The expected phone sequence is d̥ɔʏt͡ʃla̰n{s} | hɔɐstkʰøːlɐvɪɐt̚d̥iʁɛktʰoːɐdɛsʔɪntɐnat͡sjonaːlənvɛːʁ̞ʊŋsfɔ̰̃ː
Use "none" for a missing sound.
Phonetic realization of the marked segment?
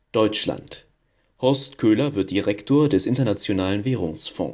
t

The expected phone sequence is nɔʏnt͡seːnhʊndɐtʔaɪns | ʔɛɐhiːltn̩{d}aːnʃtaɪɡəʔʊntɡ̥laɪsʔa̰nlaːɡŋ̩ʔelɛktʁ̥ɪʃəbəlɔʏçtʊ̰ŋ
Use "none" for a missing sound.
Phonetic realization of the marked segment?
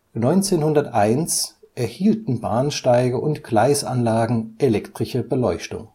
b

